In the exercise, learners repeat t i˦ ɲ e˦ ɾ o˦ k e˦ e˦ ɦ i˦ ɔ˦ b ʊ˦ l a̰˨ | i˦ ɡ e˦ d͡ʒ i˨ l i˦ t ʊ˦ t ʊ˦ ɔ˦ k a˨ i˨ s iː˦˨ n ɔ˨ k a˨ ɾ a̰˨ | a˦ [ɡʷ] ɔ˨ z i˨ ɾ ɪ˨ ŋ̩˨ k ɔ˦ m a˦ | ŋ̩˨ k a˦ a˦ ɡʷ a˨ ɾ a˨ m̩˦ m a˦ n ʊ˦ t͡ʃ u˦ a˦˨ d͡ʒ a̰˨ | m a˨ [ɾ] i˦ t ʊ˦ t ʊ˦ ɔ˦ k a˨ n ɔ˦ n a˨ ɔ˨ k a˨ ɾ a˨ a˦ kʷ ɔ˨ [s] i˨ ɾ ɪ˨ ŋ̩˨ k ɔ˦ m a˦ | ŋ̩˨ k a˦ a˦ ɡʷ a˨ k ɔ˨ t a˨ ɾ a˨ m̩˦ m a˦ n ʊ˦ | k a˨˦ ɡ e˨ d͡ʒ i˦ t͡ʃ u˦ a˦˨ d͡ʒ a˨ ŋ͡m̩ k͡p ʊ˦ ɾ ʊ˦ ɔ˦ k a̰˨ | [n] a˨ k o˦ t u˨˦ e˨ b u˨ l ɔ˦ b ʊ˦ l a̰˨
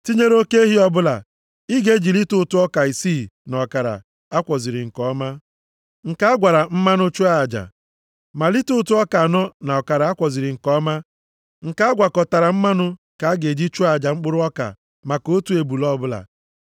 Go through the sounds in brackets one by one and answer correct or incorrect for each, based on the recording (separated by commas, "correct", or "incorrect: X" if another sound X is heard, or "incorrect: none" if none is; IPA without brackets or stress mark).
incorrect: kʷ, incorrect: l, incorrect: z, incorrect: m